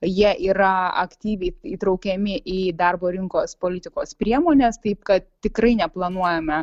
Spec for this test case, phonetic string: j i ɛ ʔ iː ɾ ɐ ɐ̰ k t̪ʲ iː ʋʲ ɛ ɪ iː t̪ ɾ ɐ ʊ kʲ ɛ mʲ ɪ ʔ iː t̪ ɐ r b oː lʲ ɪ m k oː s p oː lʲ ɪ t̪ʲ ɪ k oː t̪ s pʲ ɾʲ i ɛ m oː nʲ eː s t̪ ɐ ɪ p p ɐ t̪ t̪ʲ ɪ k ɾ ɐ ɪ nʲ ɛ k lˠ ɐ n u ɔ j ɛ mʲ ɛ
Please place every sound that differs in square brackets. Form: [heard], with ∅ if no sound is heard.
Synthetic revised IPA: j i ɛ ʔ iː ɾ ɐ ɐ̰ k t̪ʲ iː ʋʲ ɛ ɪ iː t̪ ɾ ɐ ʊ kʲ ɛ mʲ ɪ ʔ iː [d̪] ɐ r b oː [ɾʲ] ɪ [ŋ] k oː s p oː lʲ ɪ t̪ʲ ɪ k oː [∅] s pʲ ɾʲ i ɛ m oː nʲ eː s t̪ ɐ ɪ p [k] ɐ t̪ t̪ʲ ɪ k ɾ ɐ ɪ nʲ ɛ [p] lˠ ɐ n u ɔ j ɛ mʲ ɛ